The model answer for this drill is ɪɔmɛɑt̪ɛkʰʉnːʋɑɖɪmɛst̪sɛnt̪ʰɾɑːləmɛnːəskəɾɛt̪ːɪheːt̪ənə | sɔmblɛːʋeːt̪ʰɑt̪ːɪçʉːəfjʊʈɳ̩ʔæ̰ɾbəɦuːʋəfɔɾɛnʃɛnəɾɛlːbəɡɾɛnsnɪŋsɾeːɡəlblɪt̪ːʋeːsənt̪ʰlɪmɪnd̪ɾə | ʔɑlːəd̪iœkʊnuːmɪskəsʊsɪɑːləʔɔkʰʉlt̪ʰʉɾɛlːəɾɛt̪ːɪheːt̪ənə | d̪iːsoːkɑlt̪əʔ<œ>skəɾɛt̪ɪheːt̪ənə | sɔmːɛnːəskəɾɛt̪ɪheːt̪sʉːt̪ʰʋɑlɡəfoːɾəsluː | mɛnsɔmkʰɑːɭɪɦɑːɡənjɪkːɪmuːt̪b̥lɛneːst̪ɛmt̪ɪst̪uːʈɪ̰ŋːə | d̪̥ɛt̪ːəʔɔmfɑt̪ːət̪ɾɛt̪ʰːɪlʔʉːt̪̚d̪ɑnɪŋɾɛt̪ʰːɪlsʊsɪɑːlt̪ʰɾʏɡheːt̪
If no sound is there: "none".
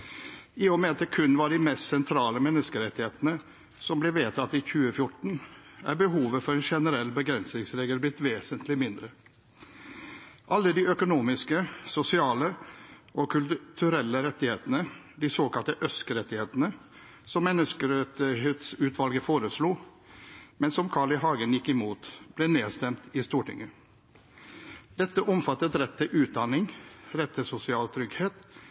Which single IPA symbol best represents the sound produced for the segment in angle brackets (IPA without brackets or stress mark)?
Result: œ